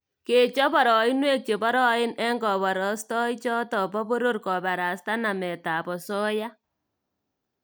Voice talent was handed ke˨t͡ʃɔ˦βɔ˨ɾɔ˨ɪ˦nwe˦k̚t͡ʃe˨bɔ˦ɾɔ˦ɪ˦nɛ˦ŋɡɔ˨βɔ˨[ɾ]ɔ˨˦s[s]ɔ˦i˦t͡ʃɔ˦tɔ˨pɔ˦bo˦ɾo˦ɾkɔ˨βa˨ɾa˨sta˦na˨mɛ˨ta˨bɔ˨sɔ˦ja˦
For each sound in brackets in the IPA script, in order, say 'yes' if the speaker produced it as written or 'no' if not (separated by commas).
yes, no